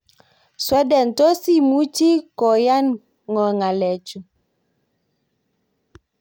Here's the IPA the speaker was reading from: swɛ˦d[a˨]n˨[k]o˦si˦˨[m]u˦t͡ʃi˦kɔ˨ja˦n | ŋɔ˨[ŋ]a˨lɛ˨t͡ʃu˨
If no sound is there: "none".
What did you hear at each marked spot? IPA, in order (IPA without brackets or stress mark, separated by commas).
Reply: ɛ˨, t, m, ŋ